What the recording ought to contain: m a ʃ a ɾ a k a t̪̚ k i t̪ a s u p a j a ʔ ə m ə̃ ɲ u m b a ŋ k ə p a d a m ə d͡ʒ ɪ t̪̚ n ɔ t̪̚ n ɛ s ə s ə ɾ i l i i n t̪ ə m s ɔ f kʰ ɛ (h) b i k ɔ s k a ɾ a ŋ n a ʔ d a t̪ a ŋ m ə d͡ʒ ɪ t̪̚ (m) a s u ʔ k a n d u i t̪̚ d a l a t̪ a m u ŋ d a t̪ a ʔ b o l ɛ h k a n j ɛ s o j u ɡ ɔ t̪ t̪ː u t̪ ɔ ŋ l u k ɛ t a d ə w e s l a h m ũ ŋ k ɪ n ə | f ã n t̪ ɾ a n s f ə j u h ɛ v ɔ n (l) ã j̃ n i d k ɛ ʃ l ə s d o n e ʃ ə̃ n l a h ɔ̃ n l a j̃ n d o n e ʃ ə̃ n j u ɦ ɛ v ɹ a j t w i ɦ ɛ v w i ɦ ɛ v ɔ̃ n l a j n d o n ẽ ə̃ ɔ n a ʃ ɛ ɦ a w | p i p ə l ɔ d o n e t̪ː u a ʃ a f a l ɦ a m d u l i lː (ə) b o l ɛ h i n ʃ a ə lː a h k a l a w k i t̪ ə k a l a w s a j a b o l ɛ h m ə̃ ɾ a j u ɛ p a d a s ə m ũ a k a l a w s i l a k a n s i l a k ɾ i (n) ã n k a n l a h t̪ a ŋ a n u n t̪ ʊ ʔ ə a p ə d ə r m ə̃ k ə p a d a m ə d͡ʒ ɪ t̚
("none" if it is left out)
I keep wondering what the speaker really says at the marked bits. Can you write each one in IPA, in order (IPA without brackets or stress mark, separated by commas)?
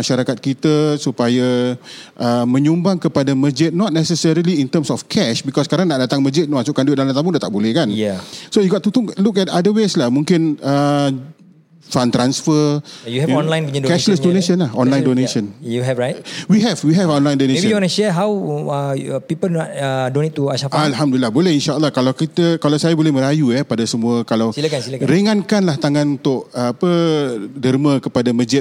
ʃ, m, l, a, ŋ